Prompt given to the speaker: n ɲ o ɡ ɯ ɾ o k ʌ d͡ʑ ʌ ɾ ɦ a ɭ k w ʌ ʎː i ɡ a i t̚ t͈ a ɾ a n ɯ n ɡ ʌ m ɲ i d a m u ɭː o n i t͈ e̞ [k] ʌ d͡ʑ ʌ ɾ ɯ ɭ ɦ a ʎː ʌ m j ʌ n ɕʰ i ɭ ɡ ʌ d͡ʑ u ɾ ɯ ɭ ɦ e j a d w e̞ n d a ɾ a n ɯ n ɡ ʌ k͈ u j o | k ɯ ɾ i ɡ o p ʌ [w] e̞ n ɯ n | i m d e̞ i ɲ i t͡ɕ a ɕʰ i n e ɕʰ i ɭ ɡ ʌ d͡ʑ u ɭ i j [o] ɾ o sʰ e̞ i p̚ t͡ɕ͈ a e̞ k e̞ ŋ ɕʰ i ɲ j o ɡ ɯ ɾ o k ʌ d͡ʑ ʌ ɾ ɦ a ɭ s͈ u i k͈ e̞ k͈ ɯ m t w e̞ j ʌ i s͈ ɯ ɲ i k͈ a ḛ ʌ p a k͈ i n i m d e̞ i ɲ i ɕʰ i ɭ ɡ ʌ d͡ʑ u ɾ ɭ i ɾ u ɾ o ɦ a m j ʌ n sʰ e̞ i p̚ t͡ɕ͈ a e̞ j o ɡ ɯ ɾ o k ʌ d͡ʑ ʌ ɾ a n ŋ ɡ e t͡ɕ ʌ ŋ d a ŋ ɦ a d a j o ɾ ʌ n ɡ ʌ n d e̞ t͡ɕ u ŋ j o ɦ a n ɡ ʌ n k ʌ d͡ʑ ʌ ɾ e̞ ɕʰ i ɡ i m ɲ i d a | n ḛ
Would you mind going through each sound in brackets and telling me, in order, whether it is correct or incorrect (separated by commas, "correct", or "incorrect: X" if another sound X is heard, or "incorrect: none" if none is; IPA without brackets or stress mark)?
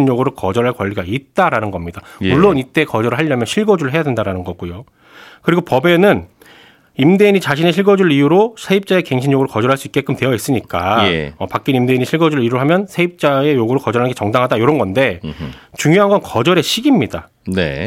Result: correct, incorrect: b, incorrect: u